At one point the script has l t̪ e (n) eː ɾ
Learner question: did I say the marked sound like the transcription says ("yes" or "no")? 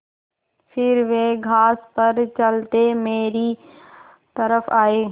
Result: no